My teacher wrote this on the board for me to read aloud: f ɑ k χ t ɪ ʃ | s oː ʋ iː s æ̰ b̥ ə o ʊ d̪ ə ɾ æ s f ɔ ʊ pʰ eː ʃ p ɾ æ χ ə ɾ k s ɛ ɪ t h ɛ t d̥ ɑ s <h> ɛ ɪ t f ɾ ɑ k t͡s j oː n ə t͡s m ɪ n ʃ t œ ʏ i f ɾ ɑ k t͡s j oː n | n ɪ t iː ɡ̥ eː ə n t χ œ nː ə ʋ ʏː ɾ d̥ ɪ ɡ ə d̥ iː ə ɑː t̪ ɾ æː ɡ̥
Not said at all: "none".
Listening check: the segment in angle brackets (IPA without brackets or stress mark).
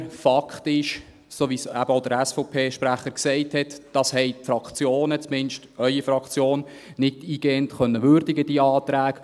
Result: h